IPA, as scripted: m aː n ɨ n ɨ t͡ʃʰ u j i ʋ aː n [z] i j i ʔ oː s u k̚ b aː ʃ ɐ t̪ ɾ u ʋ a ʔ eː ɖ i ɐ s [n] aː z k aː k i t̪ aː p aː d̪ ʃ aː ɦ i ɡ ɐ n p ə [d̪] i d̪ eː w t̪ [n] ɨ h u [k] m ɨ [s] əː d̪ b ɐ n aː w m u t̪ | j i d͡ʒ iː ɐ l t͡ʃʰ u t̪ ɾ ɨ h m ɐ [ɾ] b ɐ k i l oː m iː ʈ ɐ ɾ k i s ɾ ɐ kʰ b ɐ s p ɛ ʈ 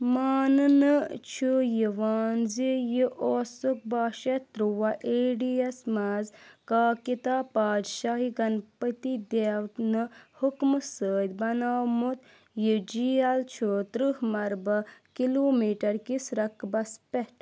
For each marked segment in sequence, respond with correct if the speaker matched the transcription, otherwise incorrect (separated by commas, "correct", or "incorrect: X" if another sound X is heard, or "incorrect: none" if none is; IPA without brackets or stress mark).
correct, incorrect: m, incorrect: t̪, correct, correct, correct, correct